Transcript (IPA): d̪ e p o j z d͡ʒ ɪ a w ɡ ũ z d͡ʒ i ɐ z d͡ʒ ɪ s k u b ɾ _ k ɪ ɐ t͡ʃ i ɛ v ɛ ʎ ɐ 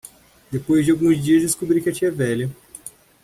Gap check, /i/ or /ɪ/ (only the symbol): i